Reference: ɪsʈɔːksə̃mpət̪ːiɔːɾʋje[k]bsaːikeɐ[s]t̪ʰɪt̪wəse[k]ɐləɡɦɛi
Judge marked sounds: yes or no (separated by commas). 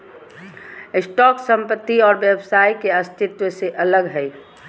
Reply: no, yes, no